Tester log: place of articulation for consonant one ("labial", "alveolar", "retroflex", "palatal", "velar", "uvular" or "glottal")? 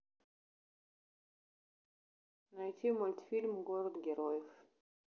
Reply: alveolar